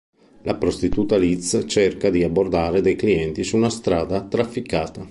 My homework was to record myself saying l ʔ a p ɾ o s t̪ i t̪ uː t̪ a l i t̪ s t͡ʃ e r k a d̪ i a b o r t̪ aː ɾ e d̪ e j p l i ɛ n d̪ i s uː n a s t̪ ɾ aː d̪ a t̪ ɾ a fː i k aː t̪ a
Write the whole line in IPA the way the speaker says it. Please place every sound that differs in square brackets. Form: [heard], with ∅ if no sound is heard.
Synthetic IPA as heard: l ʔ a p ɾ o s t̪ i t̪ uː t̪ a l i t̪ s t͡ʃ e r k a d̪ i a b o r [d̪] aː ɾ e d̪ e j [k] l i ɛ n [t̪] i s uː n a s t̪ ɾ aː d̪ a t̪ ɾ a fː i k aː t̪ a